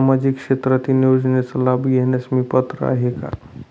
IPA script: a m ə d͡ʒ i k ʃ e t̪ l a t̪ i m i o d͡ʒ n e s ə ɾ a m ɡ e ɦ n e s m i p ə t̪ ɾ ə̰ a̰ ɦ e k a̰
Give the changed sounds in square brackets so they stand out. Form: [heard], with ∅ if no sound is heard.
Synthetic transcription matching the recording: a m [a] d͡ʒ i k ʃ e t̪ [ɾ] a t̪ i [n] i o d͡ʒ n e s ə [l] a [b] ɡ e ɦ n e s m i p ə t̪ ɾ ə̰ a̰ ɦ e k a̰